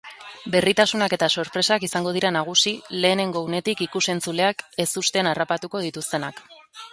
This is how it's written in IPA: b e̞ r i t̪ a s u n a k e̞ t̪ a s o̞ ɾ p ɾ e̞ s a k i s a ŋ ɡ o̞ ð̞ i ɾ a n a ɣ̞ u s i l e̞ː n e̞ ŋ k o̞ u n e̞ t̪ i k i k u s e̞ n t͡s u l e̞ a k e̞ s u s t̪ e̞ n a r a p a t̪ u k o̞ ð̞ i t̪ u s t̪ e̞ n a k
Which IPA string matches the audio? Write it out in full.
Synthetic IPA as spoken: b e̞ r i t̪ a s u n a k e̞ t̪ a s o̞ ɾ p ɾ e̞ s a k i s a ŋ ɡ o̞ ð̞ i ɾ a n a ɣ̞ u s i l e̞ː n e̞ ŋ ɡ o̞ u n e̞ t̪ i k i k u s e̞ n t͡s u l e̞ a k e̞ s u s t̪ e̞ n a r a p a t̪ u k o̞ ð̞ i t̪ u s t̪ e̞ n a k